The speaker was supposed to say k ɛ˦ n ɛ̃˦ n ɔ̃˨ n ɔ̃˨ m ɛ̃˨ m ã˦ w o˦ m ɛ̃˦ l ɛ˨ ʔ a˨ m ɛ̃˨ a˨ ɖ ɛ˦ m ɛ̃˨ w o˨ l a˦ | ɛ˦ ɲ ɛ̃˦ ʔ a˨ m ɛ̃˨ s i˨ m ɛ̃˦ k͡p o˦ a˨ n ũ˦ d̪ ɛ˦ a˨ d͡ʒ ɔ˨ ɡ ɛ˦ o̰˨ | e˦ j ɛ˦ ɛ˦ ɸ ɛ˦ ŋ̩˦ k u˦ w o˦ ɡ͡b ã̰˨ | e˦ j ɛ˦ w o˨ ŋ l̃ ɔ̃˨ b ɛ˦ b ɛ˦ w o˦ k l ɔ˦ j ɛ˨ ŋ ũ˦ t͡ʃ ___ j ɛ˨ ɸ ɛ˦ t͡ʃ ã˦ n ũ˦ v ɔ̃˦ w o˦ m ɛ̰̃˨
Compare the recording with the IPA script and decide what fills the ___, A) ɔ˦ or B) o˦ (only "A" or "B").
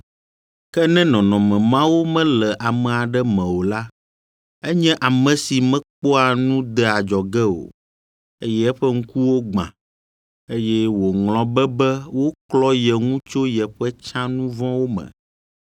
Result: B